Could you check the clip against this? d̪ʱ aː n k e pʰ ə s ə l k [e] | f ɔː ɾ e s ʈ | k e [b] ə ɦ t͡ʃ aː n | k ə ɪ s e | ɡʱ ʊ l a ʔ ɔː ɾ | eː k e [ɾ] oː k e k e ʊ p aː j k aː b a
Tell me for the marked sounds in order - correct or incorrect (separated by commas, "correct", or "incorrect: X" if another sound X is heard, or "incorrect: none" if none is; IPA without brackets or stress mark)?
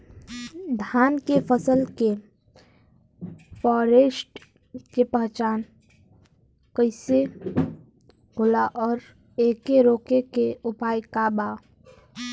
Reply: correct, incorrect: p, correct